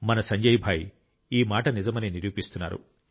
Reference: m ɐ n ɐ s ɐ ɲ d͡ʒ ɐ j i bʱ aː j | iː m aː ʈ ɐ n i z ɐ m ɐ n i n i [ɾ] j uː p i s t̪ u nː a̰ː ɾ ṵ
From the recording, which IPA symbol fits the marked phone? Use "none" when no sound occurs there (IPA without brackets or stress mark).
ɾ